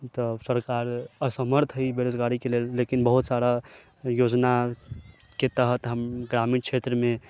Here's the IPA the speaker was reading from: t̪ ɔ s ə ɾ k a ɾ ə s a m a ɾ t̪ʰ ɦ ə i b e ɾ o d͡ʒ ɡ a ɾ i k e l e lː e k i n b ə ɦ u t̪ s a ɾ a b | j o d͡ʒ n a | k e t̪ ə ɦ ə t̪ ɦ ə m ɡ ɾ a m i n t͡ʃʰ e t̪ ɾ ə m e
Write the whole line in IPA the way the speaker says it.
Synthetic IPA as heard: t̪ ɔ s ə ɾ k a ɾ ə s ə m ə ɾ t̪ʰ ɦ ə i b e ɾ o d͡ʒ ɡ a ɾ i k e l e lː e k i n b ə ɦ u t̪ s a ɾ a | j o d͡ʒ n a | k e t̪ ə ɦ ə t̪ ɦ ə m ɡ ɾ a m i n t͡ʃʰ e t̪ ɾ ə m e